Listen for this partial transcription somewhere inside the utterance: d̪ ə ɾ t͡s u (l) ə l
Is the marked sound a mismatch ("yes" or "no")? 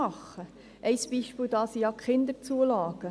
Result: yes